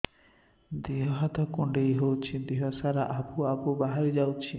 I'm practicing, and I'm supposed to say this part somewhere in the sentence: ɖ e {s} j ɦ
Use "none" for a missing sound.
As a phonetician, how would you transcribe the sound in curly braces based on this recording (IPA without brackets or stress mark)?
none